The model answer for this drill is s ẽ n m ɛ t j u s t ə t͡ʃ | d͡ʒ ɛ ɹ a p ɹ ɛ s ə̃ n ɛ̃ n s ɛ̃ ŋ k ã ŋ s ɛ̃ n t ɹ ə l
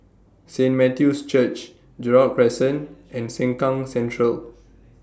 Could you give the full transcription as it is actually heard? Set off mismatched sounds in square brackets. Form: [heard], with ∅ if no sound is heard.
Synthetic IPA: s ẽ n m ɛ t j u s [t͡ʃ] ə t͡ʃ | d͡ʒ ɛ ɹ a p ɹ ɛ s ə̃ n ɛ̃ n s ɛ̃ ŋ k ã ŋ s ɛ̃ n t ɹ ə l